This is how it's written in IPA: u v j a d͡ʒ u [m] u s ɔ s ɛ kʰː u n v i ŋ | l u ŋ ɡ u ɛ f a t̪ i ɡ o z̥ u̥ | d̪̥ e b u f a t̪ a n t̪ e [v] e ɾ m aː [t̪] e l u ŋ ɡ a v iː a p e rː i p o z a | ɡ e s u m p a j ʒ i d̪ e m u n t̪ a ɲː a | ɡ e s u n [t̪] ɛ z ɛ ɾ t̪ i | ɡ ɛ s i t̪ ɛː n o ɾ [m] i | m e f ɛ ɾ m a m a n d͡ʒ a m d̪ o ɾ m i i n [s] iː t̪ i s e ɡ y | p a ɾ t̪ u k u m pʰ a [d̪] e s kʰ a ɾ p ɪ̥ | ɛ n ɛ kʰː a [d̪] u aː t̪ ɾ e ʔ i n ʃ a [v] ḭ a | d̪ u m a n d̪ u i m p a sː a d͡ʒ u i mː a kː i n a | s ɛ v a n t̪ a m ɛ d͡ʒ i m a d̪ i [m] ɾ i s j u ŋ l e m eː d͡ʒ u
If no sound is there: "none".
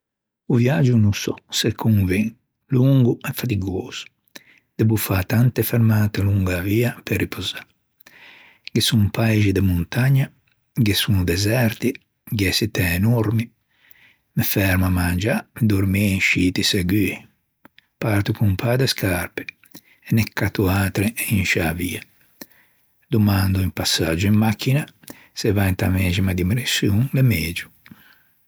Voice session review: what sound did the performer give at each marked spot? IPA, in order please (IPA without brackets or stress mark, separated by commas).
n, f, t̪, d̪, m, ʃ, d̪, t̪, v, m